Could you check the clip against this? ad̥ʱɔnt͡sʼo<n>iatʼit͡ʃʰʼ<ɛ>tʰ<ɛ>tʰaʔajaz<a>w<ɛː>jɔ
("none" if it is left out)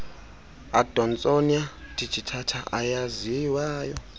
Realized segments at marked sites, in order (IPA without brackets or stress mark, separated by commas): n, i, a, i, aː